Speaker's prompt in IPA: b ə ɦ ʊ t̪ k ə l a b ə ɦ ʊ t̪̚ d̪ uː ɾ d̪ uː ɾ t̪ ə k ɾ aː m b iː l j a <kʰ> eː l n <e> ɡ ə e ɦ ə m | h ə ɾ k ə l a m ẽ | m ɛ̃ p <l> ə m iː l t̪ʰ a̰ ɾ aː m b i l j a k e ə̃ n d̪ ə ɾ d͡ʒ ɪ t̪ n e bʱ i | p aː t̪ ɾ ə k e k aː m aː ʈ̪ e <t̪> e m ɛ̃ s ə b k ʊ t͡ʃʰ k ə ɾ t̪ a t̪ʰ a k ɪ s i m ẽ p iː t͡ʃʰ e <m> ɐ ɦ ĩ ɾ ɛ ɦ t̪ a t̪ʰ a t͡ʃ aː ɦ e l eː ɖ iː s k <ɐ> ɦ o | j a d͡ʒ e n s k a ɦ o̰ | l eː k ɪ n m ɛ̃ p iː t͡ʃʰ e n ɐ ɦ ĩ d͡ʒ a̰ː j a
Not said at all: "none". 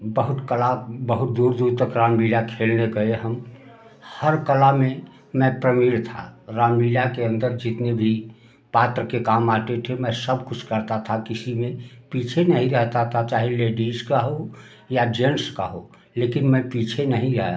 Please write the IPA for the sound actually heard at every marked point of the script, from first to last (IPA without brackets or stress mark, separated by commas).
kʰ, e, ɾ, t̪ʰ, n, a